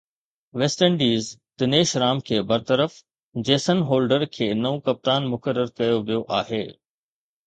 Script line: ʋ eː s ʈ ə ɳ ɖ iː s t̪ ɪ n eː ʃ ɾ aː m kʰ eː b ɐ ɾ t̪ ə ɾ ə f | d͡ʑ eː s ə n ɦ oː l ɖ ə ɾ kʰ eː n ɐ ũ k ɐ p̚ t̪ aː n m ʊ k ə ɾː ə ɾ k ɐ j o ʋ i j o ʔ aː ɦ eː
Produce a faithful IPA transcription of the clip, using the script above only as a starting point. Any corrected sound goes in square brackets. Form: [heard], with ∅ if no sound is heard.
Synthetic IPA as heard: ʋ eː s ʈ ə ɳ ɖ iː [z] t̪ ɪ n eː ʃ ɾ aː m kʰ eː b ɐ ɾ t̪ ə ɾ ə f | d͡ʑ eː s ə n ɦ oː l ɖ ə ɾ kʰ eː n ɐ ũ k ɐ p̚ t̪ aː n m ʊ k ə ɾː ə ɾ k ɐ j o ʋ i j o ʔ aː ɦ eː

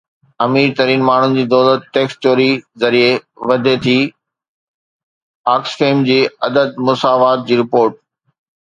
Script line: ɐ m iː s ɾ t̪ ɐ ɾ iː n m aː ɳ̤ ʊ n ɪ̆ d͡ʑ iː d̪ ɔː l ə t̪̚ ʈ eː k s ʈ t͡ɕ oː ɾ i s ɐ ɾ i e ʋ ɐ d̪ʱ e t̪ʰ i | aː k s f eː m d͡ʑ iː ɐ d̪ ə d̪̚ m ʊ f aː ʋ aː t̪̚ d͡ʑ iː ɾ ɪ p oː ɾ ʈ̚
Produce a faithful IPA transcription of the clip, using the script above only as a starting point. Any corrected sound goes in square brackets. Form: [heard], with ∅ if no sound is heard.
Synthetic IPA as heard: ɐ m iː [∅] ɾ t̪ ɐ ɾ iː n m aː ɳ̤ ʊ n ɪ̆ d͡ʑ iː d̪ ɔː l ə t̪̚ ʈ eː k s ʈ t͡ɕ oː ɾ i [z] ɐ ɾ i e ʋ ɐ d̪ʱ e t̪ʰ i | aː k s f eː m d͡ʑ iː ɐ d̪ ə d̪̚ m ʊ [s] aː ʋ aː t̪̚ d͡ʑ iː ɾ ɪ p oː ɾ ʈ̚

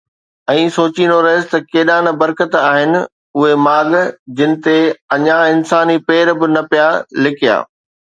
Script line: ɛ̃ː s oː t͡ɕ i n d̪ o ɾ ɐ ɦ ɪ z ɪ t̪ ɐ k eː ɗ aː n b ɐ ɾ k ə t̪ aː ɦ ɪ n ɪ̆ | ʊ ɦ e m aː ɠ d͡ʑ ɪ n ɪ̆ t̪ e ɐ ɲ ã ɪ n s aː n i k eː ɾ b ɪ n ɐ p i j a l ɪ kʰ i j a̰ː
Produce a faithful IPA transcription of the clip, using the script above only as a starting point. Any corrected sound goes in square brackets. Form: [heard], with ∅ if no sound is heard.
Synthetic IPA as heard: ɛ̃ː s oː t͡ɕ i n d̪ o ɾ ɐ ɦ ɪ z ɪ t̪ ɐ k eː ɗ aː n b ɐ ɾ k ə t̪ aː ɦ ɪ n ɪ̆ | ʊ ɦ e m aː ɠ d͡ʑ ɪ n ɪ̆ t̪ e ɐ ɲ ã ɪ n s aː n i [p] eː ɾ b ɪ n ɐ p i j a l ɪ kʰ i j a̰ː

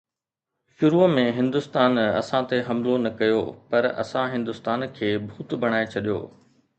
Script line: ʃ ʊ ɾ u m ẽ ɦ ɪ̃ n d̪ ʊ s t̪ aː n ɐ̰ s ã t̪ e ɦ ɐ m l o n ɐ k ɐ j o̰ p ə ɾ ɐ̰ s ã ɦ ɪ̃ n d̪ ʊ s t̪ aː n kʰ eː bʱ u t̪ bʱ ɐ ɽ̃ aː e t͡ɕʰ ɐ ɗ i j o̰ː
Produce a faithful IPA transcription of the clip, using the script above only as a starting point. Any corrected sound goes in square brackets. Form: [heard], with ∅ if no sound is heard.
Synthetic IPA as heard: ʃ ʊ ɾ u m ẽ ɦ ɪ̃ n d̪ ʊ s t̪ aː n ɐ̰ s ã t̪ e ɦ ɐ m l o n ɐ k ɐ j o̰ p [ɐ] ɾ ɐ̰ s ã ɦ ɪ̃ n d̪ ʊ s t̪ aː n kʰ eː bʱ [uː] t̪ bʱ ɐ ɽ̃ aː e t͡ɕʰ ɐ ɗ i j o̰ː

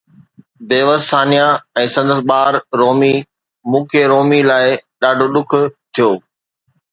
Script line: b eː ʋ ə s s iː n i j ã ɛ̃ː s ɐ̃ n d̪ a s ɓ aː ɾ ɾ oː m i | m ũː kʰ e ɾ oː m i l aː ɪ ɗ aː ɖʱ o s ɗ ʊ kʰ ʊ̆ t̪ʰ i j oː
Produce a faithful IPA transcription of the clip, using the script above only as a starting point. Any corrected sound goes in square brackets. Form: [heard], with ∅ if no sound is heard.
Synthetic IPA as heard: b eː ʋ ə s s [aː] n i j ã ɛ̃ː s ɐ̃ n d̪ [ə] s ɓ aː ɾ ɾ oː m i | m ũː kʰ e ɾ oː m i l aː ɪ ɗ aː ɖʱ o [∅] ɗ ʊ kʰ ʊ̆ t̪ʰ i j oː

